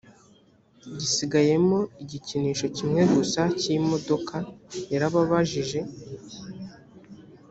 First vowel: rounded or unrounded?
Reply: unrounded